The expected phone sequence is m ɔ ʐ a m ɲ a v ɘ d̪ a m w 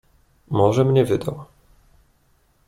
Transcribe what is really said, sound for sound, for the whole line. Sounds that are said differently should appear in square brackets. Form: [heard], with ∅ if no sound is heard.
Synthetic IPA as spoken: m ɔ ʐ [ɛ] m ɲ [ɛ] v ɘ d̪ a [∅] w